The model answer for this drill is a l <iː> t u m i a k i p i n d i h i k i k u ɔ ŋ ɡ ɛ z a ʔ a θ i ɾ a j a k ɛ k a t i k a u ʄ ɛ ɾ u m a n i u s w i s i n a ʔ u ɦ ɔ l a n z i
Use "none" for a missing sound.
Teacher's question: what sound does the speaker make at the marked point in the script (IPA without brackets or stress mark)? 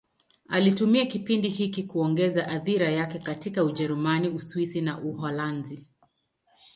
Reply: i